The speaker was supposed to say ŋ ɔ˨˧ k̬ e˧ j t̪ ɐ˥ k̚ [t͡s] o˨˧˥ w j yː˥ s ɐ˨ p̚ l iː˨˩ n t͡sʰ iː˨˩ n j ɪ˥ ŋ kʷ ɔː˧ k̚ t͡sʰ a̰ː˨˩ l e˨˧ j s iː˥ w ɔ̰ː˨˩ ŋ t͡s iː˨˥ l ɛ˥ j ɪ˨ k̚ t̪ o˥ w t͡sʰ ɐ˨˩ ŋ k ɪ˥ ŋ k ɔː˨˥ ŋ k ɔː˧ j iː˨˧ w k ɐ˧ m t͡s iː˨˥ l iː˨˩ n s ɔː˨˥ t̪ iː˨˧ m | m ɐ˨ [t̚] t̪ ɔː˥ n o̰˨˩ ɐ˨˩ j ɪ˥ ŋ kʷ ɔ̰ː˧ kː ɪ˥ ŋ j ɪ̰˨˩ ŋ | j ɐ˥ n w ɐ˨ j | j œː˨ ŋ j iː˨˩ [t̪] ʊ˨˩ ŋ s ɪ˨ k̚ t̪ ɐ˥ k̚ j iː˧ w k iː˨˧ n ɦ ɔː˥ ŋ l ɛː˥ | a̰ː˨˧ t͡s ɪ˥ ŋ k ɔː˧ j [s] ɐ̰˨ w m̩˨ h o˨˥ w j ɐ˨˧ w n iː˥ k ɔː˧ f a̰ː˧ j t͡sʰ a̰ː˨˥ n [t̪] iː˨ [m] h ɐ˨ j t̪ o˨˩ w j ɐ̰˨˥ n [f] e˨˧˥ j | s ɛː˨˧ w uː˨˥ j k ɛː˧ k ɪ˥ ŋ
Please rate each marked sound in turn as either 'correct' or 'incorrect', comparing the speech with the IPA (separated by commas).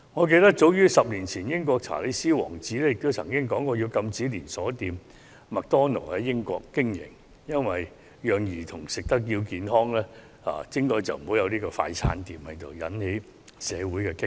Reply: correct, incorrect, incorrect, incorrect, correct, correct, incorrect